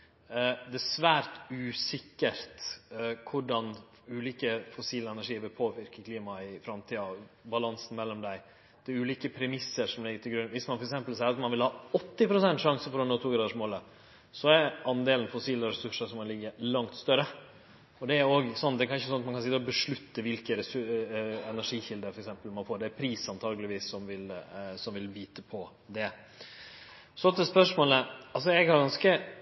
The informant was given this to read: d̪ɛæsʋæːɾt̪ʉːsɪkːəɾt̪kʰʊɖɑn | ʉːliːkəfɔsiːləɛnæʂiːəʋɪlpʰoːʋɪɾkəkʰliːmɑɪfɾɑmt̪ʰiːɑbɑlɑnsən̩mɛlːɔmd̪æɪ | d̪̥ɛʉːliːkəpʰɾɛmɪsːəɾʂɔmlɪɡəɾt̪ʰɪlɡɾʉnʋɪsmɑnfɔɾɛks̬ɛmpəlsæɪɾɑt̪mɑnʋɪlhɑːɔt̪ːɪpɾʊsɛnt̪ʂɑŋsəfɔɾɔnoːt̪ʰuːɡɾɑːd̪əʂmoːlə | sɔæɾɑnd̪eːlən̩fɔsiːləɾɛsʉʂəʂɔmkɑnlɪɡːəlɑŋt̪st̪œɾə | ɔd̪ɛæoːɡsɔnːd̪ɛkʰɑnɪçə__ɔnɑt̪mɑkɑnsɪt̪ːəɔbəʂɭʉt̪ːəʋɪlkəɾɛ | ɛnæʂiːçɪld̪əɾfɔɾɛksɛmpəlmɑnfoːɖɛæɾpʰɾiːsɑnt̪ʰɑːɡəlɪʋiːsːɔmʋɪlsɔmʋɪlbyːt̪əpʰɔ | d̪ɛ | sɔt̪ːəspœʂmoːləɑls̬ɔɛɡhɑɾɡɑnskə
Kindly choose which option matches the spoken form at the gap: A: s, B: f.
A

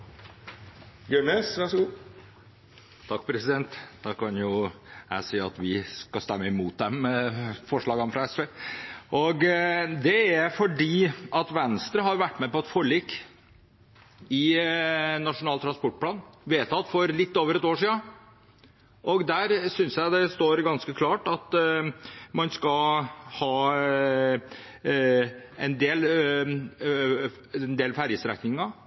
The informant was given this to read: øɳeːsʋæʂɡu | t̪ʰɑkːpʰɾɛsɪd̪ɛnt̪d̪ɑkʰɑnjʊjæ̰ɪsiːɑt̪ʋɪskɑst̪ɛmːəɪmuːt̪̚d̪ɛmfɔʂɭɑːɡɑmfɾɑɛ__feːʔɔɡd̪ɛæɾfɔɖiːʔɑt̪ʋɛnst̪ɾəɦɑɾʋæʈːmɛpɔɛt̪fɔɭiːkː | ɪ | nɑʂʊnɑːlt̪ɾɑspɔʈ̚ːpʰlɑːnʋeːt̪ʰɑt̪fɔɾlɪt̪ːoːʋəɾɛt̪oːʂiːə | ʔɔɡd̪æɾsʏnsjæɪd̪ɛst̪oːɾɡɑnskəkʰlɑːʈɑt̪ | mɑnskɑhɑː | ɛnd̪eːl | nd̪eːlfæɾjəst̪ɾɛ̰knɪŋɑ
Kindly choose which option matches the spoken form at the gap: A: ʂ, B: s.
B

